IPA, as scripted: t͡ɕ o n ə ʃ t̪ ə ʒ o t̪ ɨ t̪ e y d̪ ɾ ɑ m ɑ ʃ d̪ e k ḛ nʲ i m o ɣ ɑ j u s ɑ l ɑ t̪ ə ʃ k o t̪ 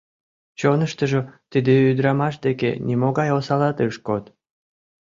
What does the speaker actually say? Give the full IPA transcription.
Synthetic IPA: t͡ɕ o n ə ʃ t̪ ə ʒ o t̪ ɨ d̪ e y d̪ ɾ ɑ m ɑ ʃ d̪ e k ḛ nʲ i m o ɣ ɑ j o s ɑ l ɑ t̪ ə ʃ k o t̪